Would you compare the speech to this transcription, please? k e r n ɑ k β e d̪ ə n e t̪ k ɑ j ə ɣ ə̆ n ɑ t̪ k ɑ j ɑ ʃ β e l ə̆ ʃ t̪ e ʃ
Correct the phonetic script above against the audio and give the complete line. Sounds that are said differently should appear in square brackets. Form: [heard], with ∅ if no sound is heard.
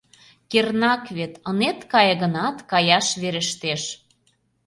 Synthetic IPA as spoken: k e r n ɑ k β e [t̪] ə n e t̪ k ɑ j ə ɣ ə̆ n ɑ t̪ k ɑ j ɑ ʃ β e [ɾ] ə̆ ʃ t̪ e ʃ